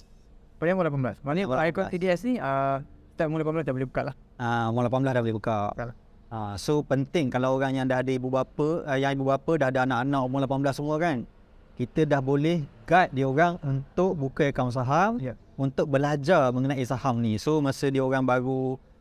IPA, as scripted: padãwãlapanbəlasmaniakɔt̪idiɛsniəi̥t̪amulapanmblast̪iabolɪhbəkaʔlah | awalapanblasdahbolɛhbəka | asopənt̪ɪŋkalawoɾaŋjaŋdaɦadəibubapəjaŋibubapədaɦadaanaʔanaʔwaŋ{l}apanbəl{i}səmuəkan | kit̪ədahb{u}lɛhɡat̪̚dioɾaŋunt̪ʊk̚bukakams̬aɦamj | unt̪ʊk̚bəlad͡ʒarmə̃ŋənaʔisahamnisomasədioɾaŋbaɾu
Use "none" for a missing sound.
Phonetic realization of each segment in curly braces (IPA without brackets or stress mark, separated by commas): l, a, o